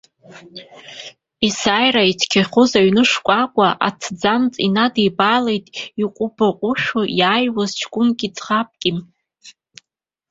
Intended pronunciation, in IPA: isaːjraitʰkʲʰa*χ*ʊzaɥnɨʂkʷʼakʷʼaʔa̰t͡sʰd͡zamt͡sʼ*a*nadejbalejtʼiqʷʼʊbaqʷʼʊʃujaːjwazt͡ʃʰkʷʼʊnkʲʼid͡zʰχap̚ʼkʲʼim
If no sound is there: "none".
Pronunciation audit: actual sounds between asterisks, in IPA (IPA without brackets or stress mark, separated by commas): χ, i